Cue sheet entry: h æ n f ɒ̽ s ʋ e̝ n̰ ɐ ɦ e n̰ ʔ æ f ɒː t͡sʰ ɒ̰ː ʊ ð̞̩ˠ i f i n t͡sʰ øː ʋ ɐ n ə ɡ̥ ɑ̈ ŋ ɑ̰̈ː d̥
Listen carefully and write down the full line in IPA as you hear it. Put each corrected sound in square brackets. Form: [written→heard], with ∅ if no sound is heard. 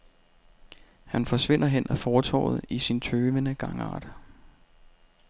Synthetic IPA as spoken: h æ n f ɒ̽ s ʋ e̝ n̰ ɐ ɦ e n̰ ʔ æ f ɒː t͡sʰ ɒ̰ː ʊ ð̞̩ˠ i [f→s] i n t͡sʰ øː ʋ [ɐ→ə] n ə ɡ̥ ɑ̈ ŋ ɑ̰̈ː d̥